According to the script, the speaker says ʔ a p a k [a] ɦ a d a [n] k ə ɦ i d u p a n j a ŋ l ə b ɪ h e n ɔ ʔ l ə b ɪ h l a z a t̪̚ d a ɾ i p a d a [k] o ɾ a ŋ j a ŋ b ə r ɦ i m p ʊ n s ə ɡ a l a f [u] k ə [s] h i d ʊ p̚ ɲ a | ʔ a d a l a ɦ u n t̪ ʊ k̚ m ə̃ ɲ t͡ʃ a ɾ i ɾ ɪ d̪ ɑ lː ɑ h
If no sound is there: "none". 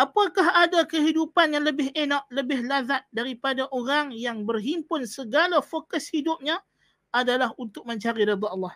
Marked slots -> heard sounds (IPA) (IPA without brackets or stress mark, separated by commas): a, none, ʔ, o, s